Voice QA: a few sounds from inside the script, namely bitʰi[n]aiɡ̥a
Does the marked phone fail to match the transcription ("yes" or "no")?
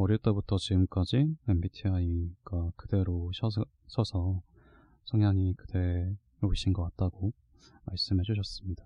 yes